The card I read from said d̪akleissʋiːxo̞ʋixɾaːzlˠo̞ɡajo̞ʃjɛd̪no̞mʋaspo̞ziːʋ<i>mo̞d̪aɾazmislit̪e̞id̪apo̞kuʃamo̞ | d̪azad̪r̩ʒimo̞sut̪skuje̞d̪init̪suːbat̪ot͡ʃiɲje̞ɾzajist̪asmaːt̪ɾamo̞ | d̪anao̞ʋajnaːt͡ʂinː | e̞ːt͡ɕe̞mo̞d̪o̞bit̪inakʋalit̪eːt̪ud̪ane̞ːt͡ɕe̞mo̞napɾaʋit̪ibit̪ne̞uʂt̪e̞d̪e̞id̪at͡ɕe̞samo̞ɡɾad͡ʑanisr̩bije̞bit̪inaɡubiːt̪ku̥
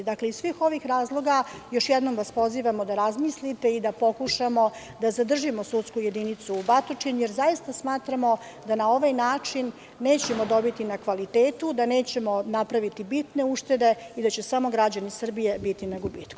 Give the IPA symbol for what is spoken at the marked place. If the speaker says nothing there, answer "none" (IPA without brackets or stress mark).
a